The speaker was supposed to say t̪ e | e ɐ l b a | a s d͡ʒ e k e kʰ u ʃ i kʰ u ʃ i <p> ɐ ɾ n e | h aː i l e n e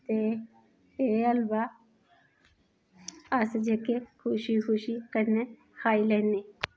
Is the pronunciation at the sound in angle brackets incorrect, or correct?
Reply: incorrect